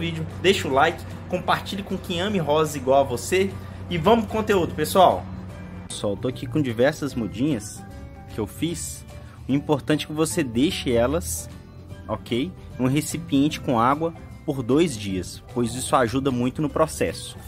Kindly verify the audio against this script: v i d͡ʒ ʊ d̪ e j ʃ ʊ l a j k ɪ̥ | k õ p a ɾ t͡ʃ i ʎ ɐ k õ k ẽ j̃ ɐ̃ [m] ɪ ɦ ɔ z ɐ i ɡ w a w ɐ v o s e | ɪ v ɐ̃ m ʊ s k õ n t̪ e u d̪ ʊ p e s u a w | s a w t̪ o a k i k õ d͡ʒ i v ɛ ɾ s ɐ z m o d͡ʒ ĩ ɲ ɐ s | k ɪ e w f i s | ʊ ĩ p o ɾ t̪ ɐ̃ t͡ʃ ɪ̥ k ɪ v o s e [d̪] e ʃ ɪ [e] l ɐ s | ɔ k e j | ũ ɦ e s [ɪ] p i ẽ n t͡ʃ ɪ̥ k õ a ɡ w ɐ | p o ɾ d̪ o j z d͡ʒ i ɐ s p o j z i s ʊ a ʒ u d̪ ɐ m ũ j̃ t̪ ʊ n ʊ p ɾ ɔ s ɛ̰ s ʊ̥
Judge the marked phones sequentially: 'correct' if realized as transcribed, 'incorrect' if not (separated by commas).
correct, correct, incorrect, incorrect